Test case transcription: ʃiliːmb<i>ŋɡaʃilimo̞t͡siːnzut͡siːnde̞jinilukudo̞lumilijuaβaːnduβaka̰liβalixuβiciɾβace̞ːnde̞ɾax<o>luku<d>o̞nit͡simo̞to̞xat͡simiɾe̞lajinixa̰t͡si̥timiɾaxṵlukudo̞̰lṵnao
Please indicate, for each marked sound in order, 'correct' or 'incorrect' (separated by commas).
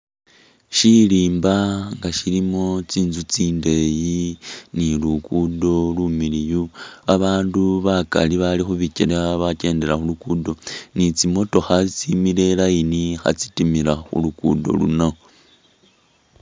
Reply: incorrect, incorrect, correct